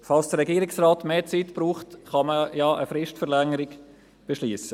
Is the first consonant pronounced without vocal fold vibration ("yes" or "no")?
yes